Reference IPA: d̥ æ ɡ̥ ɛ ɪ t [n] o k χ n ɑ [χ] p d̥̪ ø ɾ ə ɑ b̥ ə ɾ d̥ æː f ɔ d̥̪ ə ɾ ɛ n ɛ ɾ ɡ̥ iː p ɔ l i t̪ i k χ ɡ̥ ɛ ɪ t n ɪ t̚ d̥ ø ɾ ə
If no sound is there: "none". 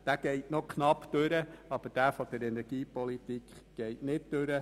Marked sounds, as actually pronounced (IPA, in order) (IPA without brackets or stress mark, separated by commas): n, none